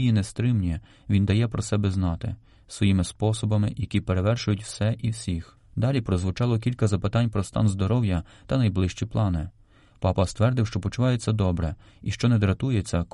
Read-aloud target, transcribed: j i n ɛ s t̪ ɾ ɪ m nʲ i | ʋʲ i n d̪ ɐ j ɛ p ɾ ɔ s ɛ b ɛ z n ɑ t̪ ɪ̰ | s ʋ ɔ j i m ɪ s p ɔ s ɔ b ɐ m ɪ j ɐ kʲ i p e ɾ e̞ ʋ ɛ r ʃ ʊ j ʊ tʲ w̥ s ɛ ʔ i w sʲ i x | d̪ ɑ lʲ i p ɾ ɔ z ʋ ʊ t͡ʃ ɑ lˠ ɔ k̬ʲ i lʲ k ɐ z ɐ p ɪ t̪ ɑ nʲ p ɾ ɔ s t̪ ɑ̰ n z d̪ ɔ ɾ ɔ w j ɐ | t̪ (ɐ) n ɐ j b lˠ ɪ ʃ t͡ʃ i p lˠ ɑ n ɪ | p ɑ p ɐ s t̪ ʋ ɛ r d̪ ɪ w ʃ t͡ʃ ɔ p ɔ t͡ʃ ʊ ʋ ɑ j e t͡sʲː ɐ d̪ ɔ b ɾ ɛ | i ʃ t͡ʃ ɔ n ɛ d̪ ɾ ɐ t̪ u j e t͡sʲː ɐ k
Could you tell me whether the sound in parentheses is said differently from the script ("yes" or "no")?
no